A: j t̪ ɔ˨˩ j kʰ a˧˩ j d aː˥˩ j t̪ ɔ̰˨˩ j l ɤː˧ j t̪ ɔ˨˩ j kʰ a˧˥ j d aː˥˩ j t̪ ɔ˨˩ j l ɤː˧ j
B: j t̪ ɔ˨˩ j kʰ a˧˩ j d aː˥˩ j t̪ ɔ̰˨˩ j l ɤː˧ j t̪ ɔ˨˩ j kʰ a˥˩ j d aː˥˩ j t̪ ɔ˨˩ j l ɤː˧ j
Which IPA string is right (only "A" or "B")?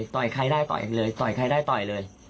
A